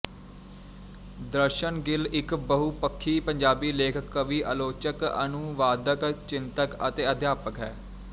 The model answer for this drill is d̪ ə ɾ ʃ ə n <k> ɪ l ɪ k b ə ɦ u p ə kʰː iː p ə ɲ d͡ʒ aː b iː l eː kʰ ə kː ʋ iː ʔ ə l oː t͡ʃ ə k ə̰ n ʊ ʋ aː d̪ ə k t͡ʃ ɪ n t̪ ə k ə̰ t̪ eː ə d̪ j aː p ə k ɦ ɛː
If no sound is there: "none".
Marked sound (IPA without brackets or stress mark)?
ɡ